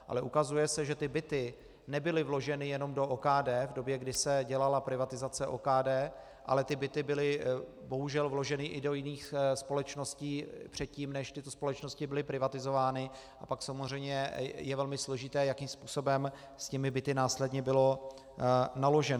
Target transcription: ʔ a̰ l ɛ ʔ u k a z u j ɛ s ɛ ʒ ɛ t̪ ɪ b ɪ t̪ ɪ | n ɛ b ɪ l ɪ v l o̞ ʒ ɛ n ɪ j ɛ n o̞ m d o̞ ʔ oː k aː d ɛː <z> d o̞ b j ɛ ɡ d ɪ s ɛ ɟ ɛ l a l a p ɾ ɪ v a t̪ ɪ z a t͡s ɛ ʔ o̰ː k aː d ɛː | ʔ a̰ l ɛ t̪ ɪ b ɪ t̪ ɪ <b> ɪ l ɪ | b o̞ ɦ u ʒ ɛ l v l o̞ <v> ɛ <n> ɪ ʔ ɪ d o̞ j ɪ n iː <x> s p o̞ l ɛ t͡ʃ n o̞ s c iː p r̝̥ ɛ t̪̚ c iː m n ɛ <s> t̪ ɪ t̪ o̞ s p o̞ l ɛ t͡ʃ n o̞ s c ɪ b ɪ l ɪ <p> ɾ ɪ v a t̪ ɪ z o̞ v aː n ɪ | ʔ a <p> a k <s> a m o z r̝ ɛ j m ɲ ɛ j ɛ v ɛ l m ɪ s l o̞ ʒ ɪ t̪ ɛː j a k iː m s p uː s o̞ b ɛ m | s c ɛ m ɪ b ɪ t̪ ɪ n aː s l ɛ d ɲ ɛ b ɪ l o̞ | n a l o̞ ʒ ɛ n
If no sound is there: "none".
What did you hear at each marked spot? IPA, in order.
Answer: v, b, ʒ, n, x, ʃ, p, p, s

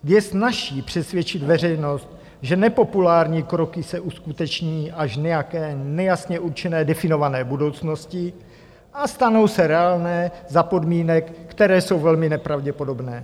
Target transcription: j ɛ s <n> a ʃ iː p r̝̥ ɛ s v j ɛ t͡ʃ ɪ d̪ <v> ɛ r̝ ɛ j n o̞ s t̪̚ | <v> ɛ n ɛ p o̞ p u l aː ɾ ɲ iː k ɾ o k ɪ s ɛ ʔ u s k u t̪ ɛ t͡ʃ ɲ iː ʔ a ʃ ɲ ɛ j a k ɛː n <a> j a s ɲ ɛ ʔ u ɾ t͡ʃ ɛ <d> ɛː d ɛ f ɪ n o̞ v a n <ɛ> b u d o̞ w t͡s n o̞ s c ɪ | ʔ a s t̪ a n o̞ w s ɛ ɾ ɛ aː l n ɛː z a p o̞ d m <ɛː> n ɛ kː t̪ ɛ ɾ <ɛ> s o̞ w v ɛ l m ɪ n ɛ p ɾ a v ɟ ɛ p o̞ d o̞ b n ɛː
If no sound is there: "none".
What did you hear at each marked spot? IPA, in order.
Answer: n, v, ʒ, ɛ, n, ɛː, iː, ɛː

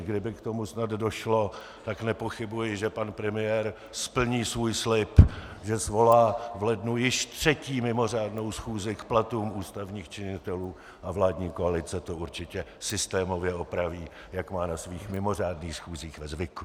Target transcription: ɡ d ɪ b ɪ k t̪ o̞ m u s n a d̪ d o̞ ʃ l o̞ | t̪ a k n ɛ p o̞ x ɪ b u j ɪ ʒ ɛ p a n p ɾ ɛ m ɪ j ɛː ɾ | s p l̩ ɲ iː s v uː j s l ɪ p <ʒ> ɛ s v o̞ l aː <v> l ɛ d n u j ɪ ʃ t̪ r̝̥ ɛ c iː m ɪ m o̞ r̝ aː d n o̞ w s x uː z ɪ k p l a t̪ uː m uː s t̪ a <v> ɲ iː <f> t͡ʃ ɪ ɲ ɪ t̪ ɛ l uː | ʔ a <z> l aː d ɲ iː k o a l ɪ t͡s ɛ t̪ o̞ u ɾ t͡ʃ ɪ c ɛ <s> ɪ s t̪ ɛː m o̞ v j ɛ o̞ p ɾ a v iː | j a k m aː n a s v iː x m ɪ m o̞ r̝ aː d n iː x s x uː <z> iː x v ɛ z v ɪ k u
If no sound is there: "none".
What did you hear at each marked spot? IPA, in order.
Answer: ʒ, v, v, x, v, s, z

